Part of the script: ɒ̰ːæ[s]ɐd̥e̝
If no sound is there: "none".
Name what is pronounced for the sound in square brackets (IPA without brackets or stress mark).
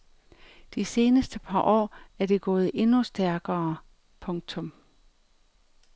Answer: none